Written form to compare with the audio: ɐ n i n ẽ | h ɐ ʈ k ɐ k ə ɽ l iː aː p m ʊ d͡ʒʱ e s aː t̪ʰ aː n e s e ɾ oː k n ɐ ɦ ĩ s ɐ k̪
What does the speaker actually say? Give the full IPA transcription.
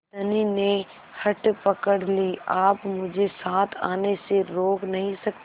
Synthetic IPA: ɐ n i n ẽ | h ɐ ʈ p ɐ k ə ɽ l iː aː p m ʊ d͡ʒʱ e s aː t̪ʰ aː n e s e ɾ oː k n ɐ ɦ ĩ s ɐ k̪